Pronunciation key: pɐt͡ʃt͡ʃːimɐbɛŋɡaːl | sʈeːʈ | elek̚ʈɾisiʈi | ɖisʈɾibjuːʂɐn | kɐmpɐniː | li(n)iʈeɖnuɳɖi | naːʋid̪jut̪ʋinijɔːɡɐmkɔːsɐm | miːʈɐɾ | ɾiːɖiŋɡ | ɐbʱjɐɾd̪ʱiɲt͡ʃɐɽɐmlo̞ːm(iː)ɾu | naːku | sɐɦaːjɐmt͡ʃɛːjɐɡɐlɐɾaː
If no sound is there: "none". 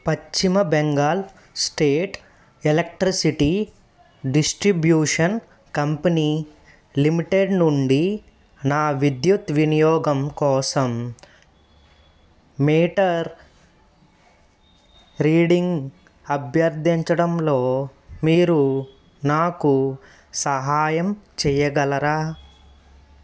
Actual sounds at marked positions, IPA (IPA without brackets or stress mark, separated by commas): m, iː